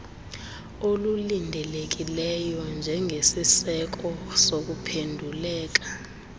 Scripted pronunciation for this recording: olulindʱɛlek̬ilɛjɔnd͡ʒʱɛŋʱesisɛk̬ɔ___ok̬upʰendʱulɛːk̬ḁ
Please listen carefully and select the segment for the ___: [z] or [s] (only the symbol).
s